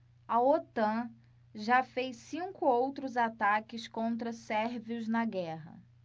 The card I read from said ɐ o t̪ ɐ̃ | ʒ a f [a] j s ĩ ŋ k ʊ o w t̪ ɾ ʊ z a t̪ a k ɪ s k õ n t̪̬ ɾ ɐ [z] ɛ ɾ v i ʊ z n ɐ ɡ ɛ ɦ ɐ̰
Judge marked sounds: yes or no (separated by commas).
no, no